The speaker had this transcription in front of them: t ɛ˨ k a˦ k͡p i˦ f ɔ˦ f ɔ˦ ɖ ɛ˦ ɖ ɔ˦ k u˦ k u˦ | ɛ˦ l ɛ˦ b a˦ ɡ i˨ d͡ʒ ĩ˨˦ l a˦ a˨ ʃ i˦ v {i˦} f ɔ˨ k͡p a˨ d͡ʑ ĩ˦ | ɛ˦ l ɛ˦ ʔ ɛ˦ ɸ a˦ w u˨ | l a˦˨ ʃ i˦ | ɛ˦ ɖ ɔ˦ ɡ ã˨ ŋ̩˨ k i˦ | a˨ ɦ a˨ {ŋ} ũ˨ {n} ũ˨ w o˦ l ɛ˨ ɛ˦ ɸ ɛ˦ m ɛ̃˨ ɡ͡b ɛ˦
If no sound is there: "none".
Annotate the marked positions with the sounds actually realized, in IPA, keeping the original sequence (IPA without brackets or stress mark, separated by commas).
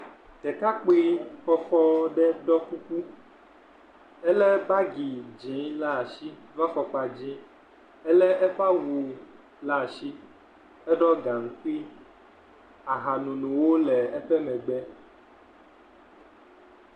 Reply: a˦, n, n